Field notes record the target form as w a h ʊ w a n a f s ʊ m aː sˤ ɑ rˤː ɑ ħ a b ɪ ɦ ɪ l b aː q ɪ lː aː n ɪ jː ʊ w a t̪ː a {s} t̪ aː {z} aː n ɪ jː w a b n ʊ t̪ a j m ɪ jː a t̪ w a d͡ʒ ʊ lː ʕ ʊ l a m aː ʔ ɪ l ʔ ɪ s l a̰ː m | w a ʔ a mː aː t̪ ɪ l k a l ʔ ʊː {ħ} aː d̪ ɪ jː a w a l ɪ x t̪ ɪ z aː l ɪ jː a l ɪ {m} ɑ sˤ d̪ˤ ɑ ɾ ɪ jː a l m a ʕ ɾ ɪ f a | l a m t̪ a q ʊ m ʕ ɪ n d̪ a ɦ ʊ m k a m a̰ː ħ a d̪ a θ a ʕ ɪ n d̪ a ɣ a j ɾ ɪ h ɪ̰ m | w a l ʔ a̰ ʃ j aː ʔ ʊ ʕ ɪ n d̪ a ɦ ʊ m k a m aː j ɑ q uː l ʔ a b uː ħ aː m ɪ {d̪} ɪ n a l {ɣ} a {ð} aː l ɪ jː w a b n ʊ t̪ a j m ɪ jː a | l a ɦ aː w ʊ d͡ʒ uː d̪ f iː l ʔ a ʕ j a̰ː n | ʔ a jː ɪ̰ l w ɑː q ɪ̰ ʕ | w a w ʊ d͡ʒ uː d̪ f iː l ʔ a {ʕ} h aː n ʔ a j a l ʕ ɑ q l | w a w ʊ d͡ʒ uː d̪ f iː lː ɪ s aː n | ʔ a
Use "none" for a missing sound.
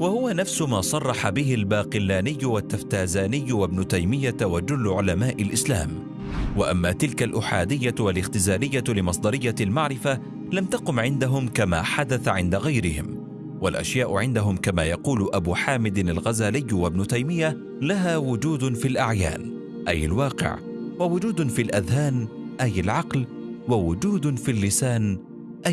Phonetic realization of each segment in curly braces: f, z, ħ, m, d̪, ɣ, z, ð

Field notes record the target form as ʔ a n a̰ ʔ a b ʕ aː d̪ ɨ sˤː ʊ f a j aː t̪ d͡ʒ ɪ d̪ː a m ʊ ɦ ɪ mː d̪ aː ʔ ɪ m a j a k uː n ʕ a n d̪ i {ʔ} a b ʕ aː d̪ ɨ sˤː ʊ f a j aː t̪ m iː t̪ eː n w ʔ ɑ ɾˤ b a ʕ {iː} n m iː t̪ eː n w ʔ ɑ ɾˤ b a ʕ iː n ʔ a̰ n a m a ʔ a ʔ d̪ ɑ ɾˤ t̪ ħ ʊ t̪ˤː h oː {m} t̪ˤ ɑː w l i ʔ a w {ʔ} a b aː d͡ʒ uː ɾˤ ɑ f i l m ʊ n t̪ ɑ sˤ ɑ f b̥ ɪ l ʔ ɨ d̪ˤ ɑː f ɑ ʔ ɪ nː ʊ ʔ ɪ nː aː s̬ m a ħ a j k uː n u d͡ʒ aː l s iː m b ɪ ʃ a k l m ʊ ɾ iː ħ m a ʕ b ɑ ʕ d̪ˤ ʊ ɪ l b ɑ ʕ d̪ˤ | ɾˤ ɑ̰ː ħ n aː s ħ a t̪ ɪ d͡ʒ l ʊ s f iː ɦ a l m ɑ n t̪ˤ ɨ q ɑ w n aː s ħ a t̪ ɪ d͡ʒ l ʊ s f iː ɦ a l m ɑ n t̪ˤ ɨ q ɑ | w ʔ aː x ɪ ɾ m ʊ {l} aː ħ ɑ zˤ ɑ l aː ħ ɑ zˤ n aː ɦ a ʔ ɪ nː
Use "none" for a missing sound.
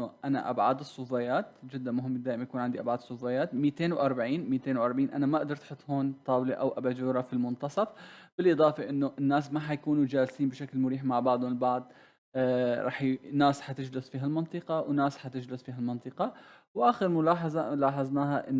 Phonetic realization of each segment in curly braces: ʔ, iː, n, ʔ, l

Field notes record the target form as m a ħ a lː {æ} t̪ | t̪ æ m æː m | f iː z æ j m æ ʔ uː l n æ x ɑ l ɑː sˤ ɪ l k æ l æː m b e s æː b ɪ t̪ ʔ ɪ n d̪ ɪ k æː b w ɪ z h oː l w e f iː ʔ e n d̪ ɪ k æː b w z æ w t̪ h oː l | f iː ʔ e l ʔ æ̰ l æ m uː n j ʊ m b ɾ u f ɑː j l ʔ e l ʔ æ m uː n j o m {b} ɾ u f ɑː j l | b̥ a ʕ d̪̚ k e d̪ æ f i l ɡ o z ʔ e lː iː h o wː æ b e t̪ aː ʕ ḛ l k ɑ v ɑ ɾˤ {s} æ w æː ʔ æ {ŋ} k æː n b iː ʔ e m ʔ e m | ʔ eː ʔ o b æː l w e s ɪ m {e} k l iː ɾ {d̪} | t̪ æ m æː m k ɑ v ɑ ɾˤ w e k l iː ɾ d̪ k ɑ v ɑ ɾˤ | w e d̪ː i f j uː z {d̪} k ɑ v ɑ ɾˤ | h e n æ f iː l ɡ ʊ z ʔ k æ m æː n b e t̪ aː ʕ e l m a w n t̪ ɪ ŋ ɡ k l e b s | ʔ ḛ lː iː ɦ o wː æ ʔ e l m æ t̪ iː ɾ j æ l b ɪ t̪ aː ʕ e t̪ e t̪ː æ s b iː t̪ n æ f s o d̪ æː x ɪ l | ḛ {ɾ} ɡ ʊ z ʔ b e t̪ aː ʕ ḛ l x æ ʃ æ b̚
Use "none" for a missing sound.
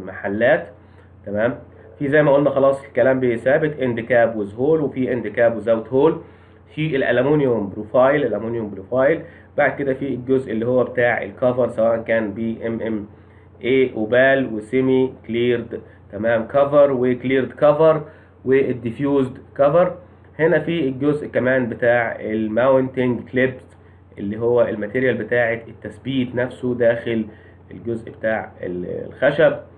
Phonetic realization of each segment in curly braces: æː, b, s, n, i, d̪, d̪, l

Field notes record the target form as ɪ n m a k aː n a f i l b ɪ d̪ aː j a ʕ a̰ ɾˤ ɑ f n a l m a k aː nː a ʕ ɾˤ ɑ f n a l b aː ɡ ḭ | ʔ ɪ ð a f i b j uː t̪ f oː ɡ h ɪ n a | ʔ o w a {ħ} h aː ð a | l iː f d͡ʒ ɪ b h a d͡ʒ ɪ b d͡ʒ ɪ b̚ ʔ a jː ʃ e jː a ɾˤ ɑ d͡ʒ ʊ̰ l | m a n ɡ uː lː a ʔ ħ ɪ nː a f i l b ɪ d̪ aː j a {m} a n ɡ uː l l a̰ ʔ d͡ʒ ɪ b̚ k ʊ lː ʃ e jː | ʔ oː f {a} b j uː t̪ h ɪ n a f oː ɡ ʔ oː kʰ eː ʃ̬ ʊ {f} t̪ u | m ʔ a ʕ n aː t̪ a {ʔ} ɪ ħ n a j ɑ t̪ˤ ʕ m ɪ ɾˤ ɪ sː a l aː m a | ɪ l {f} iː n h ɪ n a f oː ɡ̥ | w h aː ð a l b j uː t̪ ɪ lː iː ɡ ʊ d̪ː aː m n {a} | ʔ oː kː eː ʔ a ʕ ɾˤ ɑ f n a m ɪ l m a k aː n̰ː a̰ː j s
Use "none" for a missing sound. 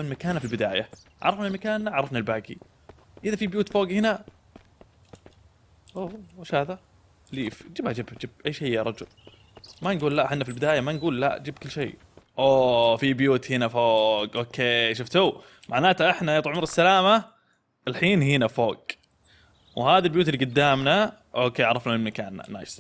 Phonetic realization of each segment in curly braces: ʃ, m, i, f, ʔ, ħ, a

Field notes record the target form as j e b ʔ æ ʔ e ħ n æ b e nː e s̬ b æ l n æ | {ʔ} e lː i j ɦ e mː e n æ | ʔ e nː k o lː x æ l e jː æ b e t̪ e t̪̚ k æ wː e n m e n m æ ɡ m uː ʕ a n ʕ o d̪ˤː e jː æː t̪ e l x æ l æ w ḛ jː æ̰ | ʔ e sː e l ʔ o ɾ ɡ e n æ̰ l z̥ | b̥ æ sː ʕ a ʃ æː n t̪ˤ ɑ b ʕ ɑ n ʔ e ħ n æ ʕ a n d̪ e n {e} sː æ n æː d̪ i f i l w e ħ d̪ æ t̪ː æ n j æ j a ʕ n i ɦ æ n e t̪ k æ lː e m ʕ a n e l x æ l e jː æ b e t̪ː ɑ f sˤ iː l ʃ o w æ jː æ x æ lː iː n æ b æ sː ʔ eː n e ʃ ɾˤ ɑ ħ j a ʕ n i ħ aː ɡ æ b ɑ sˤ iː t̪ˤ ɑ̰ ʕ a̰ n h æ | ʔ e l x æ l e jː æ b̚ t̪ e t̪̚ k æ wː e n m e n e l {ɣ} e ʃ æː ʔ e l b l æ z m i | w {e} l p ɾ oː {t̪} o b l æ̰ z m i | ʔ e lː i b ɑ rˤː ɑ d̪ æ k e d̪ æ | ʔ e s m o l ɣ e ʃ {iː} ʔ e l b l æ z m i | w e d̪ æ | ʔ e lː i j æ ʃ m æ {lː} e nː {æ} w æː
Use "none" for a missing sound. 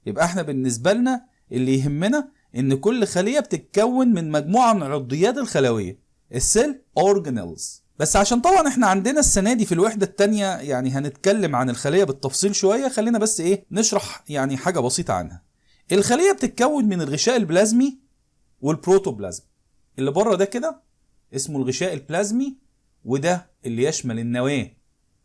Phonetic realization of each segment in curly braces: ʔ, æ, ɣ, e, t̪, æː, l, æ

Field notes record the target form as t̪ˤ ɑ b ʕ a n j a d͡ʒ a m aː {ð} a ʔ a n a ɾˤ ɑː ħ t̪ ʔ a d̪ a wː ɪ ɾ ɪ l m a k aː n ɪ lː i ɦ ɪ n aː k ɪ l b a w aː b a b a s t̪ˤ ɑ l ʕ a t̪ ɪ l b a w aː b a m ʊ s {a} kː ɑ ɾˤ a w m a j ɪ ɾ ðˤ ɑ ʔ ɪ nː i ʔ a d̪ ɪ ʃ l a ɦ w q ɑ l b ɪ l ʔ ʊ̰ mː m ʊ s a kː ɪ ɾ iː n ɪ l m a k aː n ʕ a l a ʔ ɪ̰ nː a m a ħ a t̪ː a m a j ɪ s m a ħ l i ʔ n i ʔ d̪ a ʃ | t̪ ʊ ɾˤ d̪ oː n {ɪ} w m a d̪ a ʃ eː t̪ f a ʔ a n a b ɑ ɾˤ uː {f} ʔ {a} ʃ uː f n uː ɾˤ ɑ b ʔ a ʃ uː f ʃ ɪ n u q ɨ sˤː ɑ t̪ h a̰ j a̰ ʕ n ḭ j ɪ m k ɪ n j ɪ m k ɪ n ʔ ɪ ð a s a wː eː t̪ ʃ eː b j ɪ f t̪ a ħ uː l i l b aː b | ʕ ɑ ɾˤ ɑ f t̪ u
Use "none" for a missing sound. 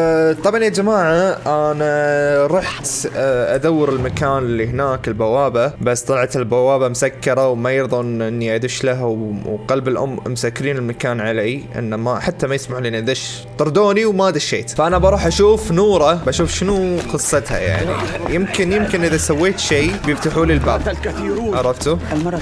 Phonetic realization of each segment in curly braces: ʕ, a, i, ħ, a

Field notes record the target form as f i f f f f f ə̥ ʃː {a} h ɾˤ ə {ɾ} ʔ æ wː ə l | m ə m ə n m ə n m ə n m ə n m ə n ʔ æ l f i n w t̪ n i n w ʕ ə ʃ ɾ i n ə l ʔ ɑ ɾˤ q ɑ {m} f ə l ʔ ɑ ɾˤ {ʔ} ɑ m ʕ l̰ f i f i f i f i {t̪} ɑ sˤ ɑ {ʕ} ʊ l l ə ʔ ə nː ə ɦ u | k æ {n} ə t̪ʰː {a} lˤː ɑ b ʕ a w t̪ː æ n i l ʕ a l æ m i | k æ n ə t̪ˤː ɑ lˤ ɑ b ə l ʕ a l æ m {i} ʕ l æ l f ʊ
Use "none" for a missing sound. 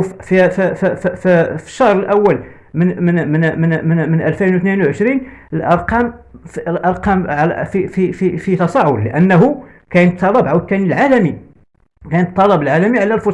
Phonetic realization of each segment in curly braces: ɑ, l, m, q, t̪, ʕ, n, ɑ, i

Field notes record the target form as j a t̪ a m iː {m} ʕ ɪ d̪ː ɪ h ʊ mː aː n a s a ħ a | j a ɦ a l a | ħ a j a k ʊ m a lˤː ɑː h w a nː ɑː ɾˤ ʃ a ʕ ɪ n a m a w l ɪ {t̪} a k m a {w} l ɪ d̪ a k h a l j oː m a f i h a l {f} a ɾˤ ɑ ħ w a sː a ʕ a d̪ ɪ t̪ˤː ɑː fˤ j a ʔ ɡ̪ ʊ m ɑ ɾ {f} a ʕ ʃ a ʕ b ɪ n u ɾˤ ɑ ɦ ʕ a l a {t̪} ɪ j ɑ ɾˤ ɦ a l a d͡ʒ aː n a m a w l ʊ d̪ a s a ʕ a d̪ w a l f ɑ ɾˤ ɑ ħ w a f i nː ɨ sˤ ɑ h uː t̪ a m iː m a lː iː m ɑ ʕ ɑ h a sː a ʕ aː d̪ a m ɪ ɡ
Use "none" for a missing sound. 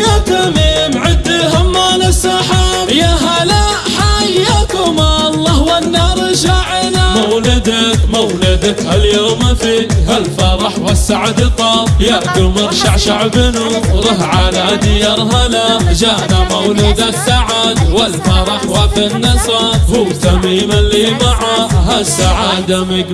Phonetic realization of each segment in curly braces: m, d̪, w, f, ʃ, d̪

